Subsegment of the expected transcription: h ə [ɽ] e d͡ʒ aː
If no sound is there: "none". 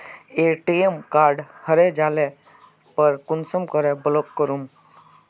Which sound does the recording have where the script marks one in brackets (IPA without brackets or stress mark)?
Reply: ɾ